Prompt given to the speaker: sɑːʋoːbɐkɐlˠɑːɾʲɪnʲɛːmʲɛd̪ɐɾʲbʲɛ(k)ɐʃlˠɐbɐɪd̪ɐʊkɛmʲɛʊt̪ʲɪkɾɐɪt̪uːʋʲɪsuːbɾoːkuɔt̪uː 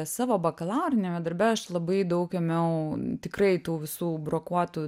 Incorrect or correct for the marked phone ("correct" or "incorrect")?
incorrect